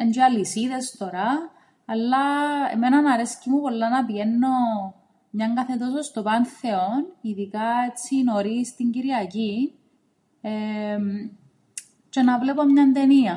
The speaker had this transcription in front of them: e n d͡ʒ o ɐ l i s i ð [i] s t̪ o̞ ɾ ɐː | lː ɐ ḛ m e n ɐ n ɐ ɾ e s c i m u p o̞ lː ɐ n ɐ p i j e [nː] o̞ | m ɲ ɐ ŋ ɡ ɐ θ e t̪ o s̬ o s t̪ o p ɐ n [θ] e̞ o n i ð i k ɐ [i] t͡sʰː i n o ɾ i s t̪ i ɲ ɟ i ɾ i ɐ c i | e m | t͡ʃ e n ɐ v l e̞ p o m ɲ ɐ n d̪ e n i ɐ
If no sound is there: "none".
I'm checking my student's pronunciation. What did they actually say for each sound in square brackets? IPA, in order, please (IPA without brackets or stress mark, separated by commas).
e, nː, θ, e